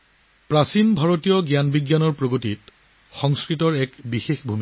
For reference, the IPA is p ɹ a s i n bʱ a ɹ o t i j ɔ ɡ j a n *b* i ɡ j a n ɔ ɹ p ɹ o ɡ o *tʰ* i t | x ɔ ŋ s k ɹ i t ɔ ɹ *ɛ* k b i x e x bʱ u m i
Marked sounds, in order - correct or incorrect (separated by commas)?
correct, incorrect, correct